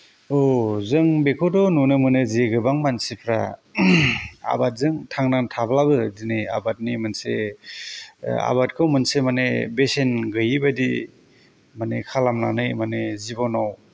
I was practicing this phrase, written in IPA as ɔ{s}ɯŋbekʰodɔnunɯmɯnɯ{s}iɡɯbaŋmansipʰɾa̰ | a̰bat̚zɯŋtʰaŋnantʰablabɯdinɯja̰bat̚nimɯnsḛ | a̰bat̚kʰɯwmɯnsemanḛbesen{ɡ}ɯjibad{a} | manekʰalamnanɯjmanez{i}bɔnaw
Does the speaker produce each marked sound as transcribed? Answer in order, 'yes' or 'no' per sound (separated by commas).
no, no, yes, no, yes